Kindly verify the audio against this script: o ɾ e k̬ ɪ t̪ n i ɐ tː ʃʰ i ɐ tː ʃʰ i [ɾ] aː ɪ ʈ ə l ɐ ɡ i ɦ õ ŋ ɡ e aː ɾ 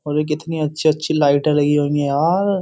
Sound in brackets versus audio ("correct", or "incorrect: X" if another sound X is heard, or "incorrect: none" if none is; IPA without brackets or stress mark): incorrect: l